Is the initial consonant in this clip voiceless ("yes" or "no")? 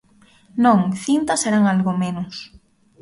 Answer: no